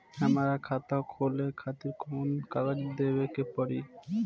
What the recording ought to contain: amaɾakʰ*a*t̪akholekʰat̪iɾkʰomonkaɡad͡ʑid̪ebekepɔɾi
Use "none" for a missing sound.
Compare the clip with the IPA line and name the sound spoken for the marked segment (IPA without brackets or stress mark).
a